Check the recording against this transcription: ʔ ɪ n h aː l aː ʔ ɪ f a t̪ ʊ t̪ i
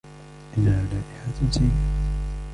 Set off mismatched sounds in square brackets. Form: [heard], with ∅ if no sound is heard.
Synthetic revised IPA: ʔ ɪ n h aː l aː ʔ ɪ [ħ] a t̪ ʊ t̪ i